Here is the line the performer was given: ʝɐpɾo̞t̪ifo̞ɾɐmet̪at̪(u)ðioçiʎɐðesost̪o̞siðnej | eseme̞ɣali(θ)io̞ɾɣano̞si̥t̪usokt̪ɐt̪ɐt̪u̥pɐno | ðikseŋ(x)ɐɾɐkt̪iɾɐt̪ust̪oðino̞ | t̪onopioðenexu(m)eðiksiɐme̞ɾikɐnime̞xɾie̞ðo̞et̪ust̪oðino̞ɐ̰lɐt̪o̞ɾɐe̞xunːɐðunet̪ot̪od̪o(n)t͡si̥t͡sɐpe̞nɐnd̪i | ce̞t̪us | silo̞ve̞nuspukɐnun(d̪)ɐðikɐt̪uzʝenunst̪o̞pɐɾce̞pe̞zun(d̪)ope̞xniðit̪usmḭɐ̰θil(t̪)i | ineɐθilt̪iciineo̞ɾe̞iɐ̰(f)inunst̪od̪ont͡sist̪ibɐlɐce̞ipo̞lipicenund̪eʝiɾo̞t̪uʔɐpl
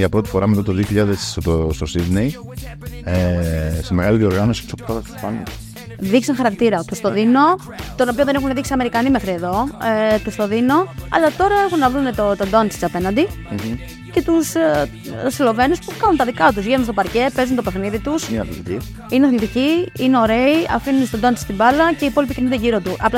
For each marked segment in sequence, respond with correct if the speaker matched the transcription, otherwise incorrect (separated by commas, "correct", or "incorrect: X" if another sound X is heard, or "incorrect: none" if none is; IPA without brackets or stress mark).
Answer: incorrect: o, incorrect: ð, correct, incorrect: n, correct, incorrect: t̪, incorrect: t̪, correct, correct